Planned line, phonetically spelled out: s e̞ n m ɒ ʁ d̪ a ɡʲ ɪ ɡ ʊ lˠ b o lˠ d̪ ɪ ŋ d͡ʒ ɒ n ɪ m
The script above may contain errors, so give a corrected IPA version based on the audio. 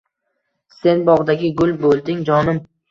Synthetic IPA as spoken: s e̞ n b ɒ ʁ d̪ a ɡʲ ɪ ɡ ʊ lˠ b o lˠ d̪ ɪ ŋ d͡ʒ ɒ n ɪ m